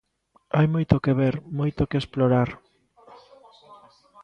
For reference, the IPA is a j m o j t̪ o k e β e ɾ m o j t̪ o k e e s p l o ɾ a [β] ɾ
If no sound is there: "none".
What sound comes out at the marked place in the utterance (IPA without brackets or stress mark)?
none